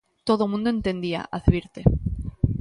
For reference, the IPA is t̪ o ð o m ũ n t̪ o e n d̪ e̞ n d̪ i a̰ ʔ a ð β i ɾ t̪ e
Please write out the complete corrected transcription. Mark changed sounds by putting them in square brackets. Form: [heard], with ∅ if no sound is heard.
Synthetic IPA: t̪ o ð o m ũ n [d̪] o e n [t̪] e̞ n d̪ i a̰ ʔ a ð β i ɾ t̪ e